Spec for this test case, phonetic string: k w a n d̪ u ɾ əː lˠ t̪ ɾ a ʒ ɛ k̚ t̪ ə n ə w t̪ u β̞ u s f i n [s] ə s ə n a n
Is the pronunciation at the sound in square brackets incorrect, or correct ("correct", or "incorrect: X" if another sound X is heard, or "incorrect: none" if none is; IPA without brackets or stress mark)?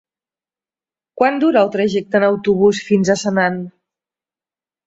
incorrect: z